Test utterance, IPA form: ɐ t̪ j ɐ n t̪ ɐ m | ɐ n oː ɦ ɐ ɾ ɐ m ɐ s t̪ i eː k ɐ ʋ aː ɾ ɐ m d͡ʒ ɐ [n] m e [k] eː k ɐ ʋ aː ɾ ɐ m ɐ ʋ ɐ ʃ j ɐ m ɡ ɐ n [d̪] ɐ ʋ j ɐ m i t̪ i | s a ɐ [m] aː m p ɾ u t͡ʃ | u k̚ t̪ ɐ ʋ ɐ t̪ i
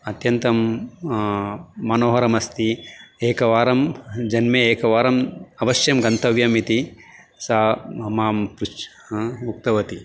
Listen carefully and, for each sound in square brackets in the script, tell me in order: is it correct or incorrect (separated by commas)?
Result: correct, incorrect, incorrect, correct